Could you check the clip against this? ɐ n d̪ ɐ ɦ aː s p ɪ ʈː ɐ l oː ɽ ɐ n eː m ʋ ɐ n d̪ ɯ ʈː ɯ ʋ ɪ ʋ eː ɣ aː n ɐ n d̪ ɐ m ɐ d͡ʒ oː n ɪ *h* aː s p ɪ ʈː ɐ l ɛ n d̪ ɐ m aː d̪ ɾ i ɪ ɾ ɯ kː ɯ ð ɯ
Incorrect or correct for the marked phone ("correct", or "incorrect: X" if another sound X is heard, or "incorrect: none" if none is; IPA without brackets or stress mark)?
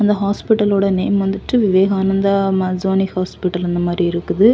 correct